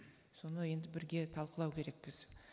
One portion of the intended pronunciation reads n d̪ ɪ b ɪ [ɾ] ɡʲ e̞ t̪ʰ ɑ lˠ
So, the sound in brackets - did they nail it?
yes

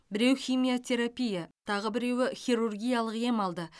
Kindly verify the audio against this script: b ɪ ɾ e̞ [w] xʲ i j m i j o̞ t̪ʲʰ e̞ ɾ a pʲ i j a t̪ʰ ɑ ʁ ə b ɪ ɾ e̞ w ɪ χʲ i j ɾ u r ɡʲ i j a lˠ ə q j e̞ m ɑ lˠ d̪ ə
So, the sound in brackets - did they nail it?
yes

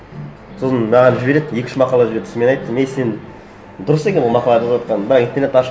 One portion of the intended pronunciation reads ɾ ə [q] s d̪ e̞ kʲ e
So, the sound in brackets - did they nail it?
no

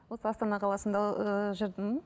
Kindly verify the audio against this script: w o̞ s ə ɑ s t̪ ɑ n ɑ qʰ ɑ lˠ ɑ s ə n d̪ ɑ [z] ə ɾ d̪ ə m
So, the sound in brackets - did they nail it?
no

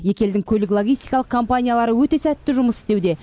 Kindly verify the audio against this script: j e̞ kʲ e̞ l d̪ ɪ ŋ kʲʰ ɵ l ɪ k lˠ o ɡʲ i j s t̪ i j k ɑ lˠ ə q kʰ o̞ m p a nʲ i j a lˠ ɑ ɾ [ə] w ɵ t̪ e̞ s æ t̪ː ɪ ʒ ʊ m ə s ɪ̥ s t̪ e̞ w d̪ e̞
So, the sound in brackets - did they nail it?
yes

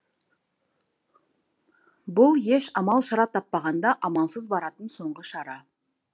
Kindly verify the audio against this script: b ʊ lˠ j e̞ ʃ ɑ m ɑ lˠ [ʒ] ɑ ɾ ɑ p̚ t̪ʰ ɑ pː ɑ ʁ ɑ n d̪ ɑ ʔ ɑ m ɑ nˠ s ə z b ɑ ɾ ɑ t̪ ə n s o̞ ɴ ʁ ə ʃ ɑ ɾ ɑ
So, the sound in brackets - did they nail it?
no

